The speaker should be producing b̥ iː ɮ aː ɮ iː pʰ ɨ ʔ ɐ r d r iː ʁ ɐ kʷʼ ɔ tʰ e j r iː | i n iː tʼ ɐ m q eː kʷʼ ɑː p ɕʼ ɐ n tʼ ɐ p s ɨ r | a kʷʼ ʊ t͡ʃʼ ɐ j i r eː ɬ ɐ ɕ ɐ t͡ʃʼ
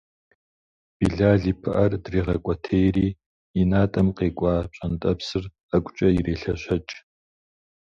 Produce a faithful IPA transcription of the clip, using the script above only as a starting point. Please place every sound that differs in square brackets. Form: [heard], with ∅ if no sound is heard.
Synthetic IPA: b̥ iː ɮ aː ɮ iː pʰ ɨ ʔ ɐ r d r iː ʁ ɐ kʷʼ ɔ tʰ e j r iː | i n [aː] tʼ ɐ m q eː kʷʼ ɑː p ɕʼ ɐ n tʼ ɐ p s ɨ r | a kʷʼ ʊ t͡ʃʼ ɐ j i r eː ɬ ɐ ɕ ɐ t͡ʃʼ